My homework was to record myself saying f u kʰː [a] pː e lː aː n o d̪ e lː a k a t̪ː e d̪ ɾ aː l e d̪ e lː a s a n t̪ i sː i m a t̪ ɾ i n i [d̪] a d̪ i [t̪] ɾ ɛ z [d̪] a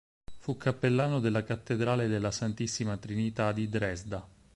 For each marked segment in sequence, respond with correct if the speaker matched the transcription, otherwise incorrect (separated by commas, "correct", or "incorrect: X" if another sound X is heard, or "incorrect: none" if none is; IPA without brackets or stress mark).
correct, incorrect: t̪, incorrect: d̪, correct